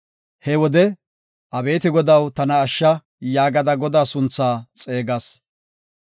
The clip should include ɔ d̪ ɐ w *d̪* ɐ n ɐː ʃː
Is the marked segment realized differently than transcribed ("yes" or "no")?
yes